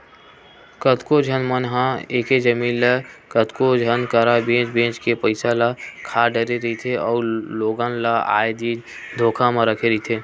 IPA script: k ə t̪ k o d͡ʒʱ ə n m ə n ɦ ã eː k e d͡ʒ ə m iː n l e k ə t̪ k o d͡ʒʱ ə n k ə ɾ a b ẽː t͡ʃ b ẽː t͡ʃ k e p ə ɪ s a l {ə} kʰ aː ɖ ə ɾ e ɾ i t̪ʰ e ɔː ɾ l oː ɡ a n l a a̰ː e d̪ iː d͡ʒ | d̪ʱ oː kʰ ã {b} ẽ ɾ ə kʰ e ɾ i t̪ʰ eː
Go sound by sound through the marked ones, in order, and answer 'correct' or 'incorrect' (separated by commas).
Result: incorrect, incorrect